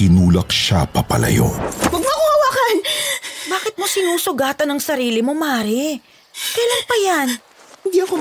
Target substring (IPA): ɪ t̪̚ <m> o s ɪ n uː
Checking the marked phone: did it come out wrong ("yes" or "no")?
no